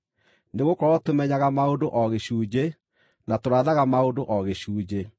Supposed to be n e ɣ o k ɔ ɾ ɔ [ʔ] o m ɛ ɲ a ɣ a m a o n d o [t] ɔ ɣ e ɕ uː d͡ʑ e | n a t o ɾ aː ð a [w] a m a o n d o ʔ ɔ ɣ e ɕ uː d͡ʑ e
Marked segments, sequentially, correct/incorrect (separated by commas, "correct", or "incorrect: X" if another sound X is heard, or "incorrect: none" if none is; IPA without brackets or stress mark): incorrect: t, incorrect: ʔ, incorrect: ɣ